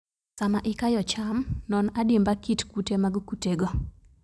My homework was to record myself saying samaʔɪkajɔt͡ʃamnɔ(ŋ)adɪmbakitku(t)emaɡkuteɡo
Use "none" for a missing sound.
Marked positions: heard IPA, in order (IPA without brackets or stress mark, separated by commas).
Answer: n, t